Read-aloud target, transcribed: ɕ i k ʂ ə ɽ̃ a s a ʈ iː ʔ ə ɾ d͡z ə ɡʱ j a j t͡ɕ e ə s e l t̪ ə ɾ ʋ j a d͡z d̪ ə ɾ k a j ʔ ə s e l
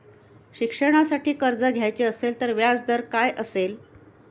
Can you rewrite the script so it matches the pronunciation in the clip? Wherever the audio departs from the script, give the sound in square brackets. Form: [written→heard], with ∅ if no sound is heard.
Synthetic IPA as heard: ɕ i k ʂ ə ɽ̃ a s a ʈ iː [ʔ→k] ə ɾ d͡z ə ɡʱ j a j t͡ɕ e ə s e l t̪ ə ɾ ʋ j a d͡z d̪ ə ɾ k a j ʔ ə s e l